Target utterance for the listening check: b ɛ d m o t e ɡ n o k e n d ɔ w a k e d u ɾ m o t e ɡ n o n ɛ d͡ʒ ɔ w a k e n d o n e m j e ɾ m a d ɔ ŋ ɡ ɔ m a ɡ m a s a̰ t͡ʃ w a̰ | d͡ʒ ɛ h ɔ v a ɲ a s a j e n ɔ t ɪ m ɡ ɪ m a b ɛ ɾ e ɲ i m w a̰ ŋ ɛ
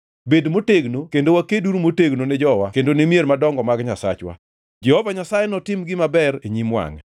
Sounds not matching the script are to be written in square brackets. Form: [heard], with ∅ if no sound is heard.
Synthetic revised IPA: b [e] d m o t e ɡ n o k e n d [o] w a k e d u ɾ m o t e ɡ n o n ɛ d͡ʒ ɔ w a k e n d o n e m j e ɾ m a d ɔ ŋ ɡ ɔ m a ɡ [ɲ] a s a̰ t͡ʃ w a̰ | d͡ʒ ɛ h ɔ v a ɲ a s a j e n ɔ t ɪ m ɡ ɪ m a b ɛ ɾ e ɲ i m w a̰ ŋ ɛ